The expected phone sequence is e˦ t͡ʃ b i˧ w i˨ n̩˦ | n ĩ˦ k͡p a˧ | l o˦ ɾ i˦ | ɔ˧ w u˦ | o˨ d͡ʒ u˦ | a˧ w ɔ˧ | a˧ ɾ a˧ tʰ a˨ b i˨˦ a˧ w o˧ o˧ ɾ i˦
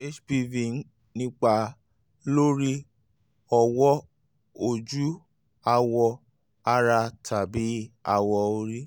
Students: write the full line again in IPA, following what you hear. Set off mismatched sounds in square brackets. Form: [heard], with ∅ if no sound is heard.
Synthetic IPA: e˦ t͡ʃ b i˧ [v] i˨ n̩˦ | n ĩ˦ k͡p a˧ | l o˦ ɾ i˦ | ɔ˧ w [ɔ˦] | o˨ d͡ʒ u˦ | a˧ w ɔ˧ | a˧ ɾ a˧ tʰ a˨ b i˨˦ a˧ w [ɔ˧] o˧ ɾ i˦